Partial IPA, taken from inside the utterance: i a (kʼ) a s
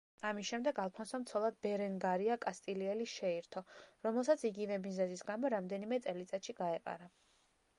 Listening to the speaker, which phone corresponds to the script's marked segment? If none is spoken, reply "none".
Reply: kʼ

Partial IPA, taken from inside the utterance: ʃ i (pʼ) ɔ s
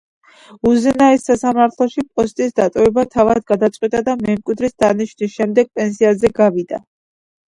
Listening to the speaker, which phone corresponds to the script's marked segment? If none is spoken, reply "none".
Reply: pʼ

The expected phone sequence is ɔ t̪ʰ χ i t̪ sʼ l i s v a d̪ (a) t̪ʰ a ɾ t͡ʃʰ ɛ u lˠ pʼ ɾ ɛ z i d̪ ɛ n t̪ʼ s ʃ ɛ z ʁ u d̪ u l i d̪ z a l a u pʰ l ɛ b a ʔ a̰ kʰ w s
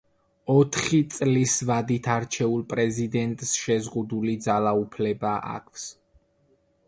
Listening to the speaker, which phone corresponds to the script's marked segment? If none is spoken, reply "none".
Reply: i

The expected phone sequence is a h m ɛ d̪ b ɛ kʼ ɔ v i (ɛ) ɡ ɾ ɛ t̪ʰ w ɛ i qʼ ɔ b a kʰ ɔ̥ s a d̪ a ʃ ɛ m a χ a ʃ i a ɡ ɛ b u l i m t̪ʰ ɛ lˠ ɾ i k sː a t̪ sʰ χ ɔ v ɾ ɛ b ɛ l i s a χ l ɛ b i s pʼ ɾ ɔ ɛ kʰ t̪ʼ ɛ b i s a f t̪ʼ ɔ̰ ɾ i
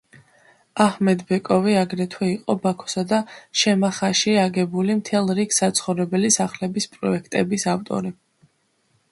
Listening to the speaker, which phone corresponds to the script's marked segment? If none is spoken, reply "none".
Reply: a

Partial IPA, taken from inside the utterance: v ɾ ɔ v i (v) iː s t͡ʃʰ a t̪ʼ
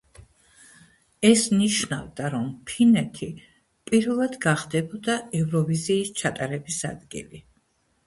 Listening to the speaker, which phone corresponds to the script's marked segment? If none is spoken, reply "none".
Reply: z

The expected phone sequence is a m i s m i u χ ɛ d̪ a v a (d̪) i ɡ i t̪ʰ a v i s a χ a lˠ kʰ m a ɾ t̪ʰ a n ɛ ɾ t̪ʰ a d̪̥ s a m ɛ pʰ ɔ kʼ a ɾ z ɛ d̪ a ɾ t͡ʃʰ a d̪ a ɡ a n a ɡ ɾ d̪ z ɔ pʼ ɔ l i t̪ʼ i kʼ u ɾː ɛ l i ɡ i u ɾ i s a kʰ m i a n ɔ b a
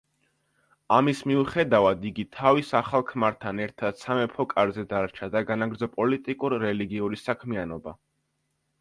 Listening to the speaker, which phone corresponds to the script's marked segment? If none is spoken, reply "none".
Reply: d̪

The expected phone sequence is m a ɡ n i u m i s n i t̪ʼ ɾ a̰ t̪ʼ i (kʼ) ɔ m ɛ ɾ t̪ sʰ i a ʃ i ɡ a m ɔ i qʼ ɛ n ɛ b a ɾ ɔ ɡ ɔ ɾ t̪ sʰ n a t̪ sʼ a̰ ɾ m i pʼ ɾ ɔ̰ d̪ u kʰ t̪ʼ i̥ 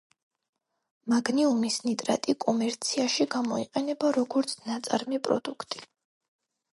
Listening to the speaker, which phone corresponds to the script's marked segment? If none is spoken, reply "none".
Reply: kʼ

